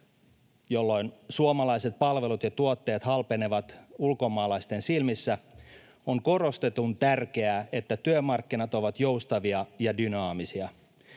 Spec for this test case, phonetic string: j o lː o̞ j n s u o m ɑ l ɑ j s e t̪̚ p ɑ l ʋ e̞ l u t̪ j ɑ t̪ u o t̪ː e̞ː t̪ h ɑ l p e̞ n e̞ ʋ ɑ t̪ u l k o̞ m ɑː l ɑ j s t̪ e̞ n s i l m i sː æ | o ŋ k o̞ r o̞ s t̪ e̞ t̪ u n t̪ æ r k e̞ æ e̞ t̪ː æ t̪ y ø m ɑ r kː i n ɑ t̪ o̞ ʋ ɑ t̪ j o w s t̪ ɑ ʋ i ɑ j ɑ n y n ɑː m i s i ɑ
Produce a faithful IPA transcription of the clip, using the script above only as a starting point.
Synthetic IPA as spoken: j o lː o̞ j n s u o m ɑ l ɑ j s e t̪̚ p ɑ l ʋ e̞ l u t̪ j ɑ t̪ u o t̪ː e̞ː t̪ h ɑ l p e̞ n e̞ ʋ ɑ t̪ u l k o̞ m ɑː l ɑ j s t̪ e̞ n s i l m i sː æ | o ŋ k o̞ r o̞ s t̪ e̞ t̪ u n t̪ æ r k e̞ æ e̞ t̪ː æ t̪ y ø m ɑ r kː i n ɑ t̪ o̞ ʋ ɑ t̪ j o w s t̪ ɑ ʋ i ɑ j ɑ d y n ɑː m i s i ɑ